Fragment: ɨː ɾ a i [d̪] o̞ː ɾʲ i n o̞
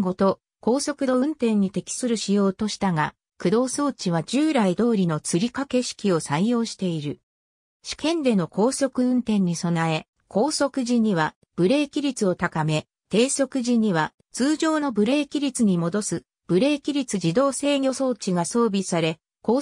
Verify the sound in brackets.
correct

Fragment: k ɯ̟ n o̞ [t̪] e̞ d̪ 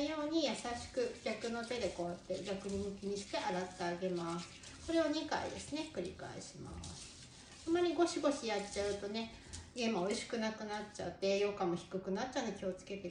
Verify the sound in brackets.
correct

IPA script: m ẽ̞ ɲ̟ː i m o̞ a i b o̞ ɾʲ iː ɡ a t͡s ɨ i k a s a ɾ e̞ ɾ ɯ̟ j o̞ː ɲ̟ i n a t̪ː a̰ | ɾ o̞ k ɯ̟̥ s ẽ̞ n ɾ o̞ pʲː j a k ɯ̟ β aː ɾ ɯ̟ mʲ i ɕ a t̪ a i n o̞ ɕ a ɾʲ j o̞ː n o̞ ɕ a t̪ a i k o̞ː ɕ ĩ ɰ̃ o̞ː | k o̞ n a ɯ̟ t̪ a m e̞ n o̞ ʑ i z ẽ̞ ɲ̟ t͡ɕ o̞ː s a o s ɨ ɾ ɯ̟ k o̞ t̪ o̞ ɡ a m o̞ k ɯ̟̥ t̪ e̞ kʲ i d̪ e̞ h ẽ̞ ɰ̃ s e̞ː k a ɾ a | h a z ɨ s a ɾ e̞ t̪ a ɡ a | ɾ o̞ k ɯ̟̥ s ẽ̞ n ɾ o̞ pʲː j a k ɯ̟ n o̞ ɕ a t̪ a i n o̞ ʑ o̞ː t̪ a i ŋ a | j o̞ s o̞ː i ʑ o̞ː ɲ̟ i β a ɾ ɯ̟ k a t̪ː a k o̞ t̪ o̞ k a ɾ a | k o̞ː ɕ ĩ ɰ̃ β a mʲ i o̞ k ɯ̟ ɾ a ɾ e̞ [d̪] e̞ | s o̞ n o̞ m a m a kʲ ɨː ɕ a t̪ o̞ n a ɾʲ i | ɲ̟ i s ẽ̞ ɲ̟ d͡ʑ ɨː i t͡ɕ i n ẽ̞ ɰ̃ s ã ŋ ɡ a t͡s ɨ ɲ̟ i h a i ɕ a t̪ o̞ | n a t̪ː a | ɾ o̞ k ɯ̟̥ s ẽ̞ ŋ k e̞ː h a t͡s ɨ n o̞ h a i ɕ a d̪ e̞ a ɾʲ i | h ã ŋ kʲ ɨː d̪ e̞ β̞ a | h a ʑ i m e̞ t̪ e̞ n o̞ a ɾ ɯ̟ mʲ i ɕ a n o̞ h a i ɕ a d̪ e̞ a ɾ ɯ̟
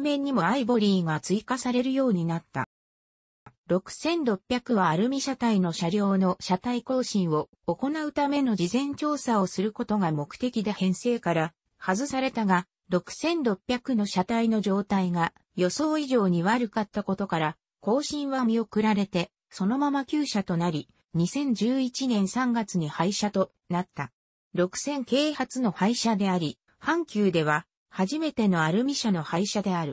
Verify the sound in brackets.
incorrect: t̪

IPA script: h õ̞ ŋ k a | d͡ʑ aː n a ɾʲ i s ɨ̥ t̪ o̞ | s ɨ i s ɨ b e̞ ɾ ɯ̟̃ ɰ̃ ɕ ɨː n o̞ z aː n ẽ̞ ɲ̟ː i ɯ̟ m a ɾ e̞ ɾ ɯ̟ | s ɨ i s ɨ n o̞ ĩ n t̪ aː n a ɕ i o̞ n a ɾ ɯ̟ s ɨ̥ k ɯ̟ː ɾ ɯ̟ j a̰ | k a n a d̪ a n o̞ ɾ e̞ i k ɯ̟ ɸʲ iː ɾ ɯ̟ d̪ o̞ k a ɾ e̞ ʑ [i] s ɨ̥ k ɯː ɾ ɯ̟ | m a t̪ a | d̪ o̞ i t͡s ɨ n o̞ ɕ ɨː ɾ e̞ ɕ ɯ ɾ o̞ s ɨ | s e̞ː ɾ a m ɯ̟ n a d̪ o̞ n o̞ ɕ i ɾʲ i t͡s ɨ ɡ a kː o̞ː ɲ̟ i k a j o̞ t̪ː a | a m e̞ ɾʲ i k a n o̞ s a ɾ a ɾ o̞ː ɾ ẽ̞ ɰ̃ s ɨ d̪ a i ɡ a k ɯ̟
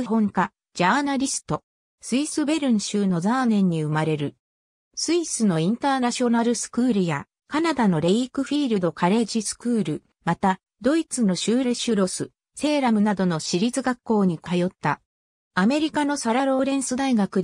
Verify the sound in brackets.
correct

